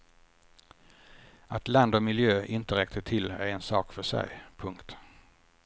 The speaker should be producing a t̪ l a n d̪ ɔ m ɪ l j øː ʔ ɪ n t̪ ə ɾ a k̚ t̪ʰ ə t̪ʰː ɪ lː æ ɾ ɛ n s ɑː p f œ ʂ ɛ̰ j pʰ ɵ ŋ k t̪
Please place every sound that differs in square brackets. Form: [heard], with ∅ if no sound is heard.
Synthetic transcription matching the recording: a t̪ l a n d̪ ɔ m ɪ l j øː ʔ ɪ n t̪ ə ɾ [ɛ] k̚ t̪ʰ ə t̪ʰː ɪ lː æ ɾ ɛ n s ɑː [k] f œ ʂ ɛ̰ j pʰ ɵ ŋ k t̪